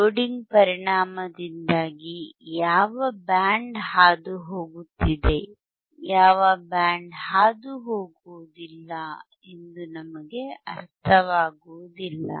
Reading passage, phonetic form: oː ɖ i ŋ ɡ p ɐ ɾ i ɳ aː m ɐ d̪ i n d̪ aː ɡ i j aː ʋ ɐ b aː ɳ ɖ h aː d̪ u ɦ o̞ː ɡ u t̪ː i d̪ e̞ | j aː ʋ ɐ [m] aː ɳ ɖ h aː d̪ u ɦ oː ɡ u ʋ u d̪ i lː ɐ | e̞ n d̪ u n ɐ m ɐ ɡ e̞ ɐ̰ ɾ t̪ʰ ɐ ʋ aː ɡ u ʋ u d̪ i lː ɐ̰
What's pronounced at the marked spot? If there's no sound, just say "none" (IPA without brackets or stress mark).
b